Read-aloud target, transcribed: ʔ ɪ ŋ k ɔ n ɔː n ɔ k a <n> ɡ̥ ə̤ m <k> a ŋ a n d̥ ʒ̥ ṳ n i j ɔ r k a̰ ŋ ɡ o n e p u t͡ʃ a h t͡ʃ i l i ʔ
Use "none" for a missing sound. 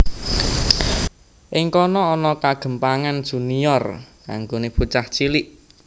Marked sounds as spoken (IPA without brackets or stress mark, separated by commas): none, p